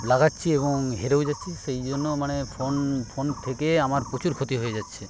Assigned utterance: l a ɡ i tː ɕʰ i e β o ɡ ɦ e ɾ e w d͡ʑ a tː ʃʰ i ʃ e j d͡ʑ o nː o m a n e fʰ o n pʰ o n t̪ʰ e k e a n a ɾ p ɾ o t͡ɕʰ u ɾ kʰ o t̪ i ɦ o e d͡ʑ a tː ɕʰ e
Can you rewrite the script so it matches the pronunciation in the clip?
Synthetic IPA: l a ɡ a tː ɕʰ i e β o ŋ ɦ e ɾ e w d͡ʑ a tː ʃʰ i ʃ e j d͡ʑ o nː o m a n e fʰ o n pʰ o n t̪ʰ e k e a m a ɾ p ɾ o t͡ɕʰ u ɾ kʰ o t̪ i ɦ o e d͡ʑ a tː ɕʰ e